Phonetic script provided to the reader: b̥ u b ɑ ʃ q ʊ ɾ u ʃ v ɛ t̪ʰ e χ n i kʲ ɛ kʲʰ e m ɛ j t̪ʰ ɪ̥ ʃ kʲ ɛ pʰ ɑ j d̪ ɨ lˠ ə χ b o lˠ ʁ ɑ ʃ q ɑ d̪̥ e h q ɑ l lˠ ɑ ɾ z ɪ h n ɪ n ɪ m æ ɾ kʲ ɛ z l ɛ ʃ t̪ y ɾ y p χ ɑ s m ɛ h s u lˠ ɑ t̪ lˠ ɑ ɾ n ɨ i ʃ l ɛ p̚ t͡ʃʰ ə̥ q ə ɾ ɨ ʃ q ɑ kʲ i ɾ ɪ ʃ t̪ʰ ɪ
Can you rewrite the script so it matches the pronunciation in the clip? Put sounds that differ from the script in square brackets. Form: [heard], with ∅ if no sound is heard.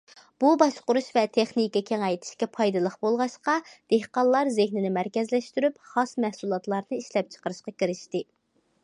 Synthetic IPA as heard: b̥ u b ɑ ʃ q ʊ ɾ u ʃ v ɛ t̪ʰ e χ n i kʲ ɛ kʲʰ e [ŋ] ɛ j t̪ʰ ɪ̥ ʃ kʲ ɛ pʰ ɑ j d̪ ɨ lˠ ə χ b o lˠ ʁ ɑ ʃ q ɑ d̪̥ e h q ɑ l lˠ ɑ ɾ z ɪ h n ɪ n ɪ m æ ɾ kʲ ɛ z l ɛ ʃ t̪ y ɾ y p χ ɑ s m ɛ h s u lˠ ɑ t̪ lˠ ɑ ɾ n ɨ i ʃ l ɛ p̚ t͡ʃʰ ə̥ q ə ɾ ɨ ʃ q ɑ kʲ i ɾ ɪ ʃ [t̪] ɪ